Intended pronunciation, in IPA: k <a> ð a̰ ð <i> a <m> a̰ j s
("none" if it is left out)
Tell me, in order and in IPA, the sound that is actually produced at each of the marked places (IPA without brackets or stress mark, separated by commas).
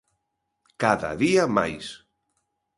a, i, m